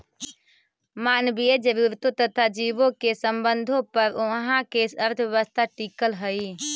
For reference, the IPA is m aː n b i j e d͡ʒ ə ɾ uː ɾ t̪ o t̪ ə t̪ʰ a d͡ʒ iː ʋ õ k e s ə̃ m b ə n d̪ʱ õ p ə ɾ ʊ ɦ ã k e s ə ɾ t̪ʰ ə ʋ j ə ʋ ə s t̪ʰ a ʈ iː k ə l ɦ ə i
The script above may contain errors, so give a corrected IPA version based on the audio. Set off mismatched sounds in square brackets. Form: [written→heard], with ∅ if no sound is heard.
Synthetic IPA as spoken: m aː n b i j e d͡ʒ ə ɾ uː ɾ t̪ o t̪ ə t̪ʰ a d͡ʒ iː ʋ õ k e s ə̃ m b ə n d̪ʱ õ p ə ɾ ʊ ɦ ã k e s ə ɾ t̪ʰ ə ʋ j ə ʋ ə s t̪ʰ a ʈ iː k ə l ɦ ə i

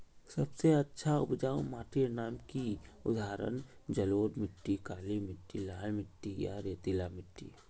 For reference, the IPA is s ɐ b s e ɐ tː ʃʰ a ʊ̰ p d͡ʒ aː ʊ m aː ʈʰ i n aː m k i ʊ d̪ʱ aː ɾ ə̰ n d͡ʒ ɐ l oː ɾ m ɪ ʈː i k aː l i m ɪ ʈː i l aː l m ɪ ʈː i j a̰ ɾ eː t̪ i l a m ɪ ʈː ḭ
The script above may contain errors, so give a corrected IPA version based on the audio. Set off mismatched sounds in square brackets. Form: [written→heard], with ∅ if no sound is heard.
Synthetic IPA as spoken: s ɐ b s e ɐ tː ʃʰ a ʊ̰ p d͡ʒ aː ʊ m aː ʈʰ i n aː m k i ʊ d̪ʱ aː ɾ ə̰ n d͡ʒ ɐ l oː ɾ m ɪ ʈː i k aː l i m ɪ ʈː i l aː l m ɪ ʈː i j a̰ ɾ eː t̪ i l a m ɪ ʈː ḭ

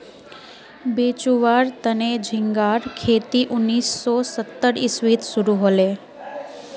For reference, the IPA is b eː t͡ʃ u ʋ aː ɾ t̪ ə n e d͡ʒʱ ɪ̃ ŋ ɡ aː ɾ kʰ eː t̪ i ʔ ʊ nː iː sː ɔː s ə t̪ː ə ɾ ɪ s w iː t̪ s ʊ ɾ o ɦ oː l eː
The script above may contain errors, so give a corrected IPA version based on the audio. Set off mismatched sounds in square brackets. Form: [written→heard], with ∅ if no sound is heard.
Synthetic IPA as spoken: b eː t͡ʃ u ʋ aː ɾ t̪ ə n e d͡ʒʱ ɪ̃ ŋ ɡ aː ɾ kʰ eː t̪ i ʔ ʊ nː iː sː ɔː s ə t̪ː ə ɾ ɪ s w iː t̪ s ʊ ɾ [o→u] ɦ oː l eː

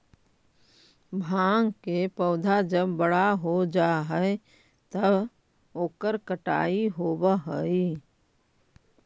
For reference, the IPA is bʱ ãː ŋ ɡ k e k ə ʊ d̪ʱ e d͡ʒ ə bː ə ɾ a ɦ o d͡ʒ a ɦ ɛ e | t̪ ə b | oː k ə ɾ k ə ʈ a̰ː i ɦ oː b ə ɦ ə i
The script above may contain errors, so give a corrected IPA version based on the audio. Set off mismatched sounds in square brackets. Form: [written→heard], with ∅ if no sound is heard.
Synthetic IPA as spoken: bʱ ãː ŋ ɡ k e [k→p] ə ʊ d̪ʱ [e→a] d͡ʒ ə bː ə [ɾ→ɽ] a ɦ o d͡ʒ a ɦ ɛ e | t̪ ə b | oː k ə ɾ k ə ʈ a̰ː i ɦ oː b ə ɦ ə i

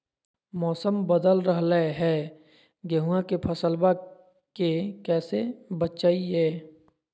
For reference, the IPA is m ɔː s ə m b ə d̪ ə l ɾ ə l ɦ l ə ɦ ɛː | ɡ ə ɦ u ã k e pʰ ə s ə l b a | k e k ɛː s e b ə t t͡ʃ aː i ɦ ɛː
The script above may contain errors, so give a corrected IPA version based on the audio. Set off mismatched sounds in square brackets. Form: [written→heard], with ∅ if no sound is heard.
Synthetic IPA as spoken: m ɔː s ə m b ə d̪ ə l ɾ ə [l→∅] ɦ l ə ɦ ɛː | ɡ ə ɦ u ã k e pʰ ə s ə l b a | k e k ɛː s e b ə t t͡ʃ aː i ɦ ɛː

